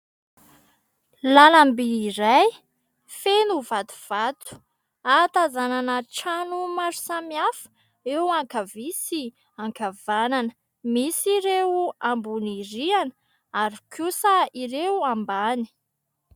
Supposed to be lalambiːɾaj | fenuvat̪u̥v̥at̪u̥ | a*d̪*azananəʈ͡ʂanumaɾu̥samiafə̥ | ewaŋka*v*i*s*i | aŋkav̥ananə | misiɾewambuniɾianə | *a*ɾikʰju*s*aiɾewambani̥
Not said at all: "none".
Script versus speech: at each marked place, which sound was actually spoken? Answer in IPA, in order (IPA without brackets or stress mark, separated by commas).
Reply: t̪, v, s, a, s